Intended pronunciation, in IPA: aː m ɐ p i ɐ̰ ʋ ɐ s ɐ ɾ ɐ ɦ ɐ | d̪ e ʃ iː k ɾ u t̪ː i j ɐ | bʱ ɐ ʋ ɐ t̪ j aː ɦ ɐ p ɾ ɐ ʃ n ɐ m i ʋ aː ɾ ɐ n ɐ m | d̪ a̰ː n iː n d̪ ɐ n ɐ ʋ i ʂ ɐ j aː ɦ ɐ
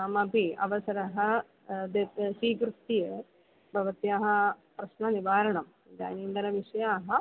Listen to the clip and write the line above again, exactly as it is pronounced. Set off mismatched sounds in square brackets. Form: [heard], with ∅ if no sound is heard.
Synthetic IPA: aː m ɐ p i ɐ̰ ʋ ɐ s ɐ ɾ ɐ ɦ ɐ | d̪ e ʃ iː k ɾ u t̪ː i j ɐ | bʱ ɐ ʋ ɐ t̪ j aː ɦ ɐ p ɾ ɐ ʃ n ɐ [n] i ʋ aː ɾ ɐ [ɳ] ɐ m | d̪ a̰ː n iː n d̪ ɐ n ɐ ʋ i ʂ ɐ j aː ɦ ɐ